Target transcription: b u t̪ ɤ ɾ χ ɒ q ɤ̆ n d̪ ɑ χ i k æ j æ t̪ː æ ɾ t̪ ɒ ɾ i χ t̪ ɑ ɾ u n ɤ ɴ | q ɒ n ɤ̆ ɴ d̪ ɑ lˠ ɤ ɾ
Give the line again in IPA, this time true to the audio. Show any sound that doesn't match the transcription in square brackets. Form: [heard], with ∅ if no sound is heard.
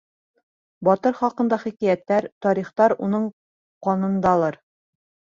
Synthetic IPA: b [ɒ] t̪ ɤ ɾ χ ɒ q ɤ̆ n d̪ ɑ χ i k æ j æ t̪ː æ ɾ t̪ ɒ ɾ i χ t̪ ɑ ɾ u n ɤ ɴ | q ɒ n ɤ̆ [n] d̪ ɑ lˠ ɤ ɾ